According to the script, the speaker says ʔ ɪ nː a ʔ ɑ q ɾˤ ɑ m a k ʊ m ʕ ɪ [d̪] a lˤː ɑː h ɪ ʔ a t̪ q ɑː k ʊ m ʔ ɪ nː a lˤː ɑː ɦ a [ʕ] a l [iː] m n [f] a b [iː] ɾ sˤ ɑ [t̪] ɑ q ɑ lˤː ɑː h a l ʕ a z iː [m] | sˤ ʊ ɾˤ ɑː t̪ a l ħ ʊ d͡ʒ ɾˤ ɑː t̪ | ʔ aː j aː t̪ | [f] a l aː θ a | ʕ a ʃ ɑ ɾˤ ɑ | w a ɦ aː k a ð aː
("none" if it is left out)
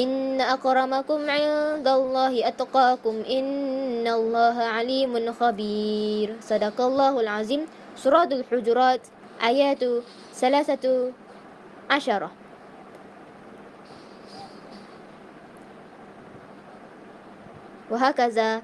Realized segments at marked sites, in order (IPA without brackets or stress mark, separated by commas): d̪, ʕ, iː, x, iː, d̪, m, θ